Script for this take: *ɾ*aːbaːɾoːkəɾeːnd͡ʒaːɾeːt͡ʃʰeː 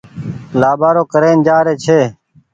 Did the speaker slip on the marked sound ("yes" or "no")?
yes